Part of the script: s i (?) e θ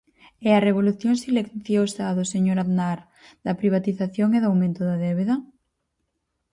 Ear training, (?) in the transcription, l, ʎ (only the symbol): l